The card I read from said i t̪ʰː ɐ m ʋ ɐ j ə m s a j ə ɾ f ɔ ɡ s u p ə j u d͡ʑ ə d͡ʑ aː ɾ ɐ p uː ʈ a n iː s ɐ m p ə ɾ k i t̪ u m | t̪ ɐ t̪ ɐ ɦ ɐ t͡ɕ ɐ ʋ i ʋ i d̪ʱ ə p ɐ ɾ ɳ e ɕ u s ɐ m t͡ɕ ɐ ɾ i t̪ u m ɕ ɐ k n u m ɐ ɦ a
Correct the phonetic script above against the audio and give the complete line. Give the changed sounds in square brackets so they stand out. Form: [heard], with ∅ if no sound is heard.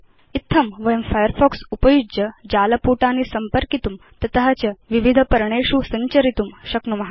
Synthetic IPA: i t̪ʰː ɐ m ʋ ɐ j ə m [f] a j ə ɾ f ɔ [k] s u p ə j u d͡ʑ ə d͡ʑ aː [l] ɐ p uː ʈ a n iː s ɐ m p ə ɾ k i t̪ u m | t̪ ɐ t̪ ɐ ɦ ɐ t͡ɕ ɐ ʋ i ʋ i d̪ʱ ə p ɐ ɾ ɳ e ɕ u s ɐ [ɲ] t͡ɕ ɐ ɾ i t̪ u m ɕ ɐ k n u m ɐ ɦ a